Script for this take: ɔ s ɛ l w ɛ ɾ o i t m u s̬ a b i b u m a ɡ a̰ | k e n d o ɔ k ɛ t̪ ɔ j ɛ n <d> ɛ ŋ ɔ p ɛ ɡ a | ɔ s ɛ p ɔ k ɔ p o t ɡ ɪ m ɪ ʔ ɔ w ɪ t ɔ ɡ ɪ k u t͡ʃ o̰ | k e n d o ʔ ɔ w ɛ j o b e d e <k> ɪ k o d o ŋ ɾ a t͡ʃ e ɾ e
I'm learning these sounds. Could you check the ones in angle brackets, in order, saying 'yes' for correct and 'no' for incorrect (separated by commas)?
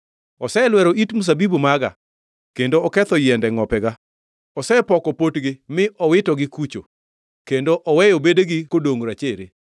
yes, no